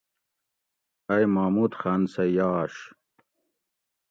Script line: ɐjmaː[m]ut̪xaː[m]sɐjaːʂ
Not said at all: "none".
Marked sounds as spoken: m, n

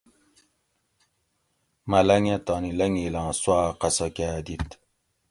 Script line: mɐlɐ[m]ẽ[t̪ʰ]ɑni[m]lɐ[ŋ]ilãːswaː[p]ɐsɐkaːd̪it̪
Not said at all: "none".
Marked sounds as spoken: ŋ, t̪, none, ŋ, q

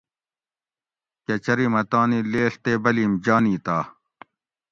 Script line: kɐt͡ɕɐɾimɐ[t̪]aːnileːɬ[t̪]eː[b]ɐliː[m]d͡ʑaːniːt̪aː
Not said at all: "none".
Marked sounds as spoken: t̪, t̪, b, m

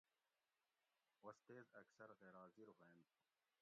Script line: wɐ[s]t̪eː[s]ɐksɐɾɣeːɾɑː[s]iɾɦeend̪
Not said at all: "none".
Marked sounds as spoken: s, z, z

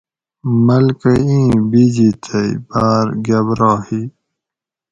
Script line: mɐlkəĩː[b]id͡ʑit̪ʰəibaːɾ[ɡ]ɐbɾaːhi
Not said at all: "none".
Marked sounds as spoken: b, ɡ

